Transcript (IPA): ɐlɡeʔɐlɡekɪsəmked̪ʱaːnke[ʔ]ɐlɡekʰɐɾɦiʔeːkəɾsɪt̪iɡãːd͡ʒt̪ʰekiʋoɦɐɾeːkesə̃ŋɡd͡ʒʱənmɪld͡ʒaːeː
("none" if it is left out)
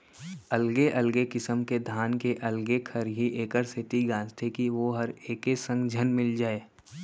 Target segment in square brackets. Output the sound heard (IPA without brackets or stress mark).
ʔ